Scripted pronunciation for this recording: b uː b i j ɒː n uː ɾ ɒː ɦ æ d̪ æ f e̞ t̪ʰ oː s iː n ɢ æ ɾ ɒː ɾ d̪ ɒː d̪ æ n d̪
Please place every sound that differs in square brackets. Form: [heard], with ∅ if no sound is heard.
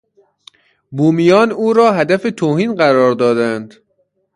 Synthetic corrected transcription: b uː [m] i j ɒː n uː ɾ ɒː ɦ æ d̪ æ f e̞ t̪ʰ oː [h] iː n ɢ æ ɾ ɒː ɾ d̪ ɒː d̪ æ n d̪

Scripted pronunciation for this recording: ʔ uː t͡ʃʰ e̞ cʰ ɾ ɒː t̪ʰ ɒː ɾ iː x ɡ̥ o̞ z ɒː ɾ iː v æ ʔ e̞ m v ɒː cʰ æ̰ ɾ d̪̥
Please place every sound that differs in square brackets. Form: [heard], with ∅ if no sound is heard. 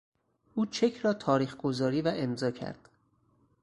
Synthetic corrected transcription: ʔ uː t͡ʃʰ e̞ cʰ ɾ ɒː t̪ʰ ɒː ɾ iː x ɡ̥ o̞ z ɒː ɾ iː v æ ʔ e̞ m [z] ɒː cʰ æ̰ ɾ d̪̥

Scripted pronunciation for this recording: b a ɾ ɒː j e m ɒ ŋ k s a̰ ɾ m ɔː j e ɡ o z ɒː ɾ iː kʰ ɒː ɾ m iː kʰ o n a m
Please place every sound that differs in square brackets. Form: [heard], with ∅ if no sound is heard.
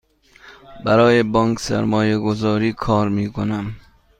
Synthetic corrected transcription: b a ɾ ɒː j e [b] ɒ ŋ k s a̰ ɾ m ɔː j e ɡ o z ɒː ɾ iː kʰ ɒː ɾ m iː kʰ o n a m

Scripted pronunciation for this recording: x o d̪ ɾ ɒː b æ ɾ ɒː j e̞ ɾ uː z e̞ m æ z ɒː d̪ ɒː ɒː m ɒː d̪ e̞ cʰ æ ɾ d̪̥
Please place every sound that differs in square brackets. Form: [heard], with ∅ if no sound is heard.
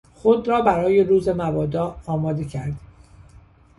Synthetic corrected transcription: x o d̪ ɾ ɒː b æ ɾ ɒː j e̞ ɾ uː z e̞ m æ [v] ɒː d̪ ɒː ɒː m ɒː d̪ e̞ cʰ æ ɾ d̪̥

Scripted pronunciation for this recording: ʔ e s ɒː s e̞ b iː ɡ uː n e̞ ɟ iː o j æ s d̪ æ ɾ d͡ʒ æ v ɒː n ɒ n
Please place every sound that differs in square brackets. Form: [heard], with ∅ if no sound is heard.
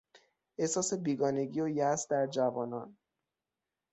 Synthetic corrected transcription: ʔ e s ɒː s e̞ b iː ɡ [ɒː] n e̞ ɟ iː o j æ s d̪ æ ɾ d͡ʒ æ v ɒː n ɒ n

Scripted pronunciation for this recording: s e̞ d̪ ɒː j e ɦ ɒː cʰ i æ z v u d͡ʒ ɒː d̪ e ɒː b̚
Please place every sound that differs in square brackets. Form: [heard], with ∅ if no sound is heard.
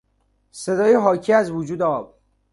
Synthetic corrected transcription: s e̞ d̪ ɒː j e ɦ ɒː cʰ i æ z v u d͡ʒ [uː] d̪ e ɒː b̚

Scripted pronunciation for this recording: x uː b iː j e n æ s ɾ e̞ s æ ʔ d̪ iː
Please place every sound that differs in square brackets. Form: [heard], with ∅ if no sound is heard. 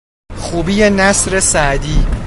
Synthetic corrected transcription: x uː b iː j e n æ s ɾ e̞ s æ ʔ d̪ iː

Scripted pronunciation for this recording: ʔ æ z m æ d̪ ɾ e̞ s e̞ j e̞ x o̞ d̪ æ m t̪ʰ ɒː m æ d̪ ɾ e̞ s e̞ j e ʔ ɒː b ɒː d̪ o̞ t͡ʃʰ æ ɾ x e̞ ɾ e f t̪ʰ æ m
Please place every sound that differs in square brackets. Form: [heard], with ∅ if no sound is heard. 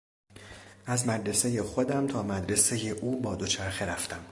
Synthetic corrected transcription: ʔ æ z m æ d̪ ɾ e̞ s e̞ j e̞ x o̞ d̪ æ m t̪ʰ ɒː m æ d̪ ɾ e̞ s e̞ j e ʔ [uː] b ɒː d̪ o̞ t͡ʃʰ æ ɾ x e̞ ɾ [æ] f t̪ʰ æ m

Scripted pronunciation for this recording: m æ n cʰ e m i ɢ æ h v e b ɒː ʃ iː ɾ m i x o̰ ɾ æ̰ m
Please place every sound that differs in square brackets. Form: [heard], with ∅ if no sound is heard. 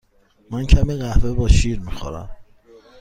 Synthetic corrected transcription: m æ n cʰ [æ] m i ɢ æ h v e b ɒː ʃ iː ɾ m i x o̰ ɾ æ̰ m

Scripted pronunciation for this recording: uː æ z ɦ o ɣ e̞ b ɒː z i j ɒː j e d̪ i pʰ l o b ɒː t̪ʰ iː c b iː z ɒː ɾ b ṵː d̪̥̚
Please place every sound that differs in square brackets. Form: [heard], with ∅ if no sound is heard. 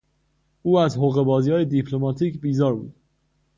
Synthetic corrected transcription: uː æ z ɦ o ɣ e̞ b ɒː z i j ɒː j e d̪ i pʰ l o [m] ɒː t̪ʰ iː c b iː z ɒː ɾ b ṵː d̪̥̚

